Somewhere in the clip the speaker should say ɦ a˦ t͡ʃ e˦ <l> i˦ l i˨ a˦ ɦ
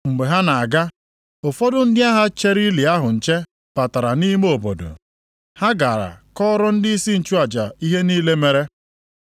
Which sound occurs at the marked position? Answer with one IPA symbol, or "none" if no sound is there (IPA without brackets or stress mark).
ɾ